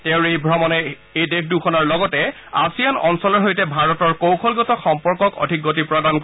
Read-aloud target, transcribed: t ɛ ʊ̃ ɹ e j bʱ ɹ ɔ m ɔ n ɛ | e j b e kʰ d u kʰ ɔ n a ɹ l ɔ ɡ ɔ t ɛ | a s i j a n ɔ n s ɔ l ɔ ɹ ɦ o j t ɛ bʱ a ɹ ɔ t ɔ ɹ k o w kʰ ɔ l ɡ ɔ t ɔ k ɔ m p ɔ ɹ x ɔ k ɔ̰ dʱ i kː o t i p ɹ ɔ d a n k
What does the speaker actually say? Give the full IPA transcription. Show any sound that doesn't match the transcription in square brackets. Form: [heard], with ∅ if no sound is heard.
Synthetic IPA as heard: t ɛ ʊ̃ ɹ e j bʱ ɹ ɔ m ɔ n ɛ | e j [d] e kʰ d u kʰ ɔ n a ɹ l ɔ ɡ ɔ t ɛ | a s i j a n ɔ n s ɔ l ɔ ɹ ɦ o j t ɛ bʱ a ɹ ɔ t ɔ ɹ k o w kʰ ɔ l ɡ ɔ t ɔ [x] ɔ m p ɔ ɹ [k] ɔ k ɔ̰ dʱ i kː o t i p ɹ ɔ d a n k